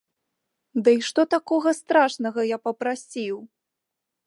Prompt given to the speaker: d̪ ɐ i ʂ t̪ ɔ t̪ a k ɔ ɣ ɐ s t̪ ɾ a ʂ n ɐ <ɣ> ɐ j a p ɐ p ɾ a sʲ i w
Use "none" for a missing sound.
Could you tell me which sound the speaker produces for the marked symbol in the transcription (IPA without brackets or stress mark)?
ɣ